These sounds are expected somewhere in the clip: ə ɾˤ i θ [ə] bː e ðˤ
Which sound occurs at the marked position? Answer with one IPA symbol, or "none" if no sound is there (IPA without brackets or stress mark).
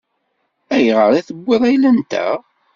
ə